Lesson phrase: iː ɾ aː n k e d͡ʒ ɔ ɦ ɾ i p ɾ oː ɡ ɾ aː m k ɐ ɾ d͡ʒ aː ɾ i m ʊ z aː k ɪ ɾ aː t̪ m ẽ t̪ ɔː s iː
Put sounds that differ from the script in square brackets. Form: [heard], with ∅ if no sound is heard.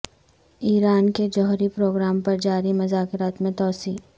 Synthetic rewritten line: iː ɾ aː n k e d͡ʒ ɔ ɦ ɾ i p ɾ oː ɡ ɾ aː m [p] ɐ ɾ d͡ʒ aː ɾ i m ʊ z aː k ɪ ɾ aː t̪ m ẽ t̪ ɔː s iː